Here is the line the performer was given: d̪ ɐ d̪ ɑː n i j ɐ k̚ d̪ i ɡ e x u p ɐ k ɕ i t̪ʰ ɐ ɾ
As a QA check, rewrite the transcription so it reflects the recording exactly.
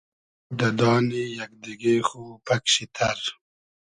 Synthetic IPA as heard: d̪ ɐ d̪ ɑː n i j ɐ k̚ d̪ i ɡ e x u p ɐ k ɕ i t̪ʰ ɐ ɾ